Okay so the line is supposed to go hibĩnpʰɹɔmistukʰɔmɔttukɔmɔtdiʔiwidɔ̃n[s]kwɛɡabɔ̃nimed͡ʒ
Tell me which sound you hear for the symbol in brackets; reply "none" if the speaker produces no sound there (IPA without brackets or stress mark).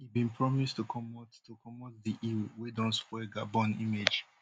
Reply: s